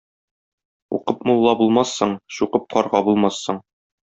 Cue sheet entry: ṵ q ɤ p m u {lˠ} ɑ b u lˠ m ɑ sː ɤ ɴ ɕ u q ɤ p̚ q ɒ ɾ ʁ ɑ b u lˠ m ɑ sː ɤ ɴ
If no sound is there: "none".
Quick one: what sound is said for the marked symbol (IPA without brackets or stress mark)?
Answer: lˠː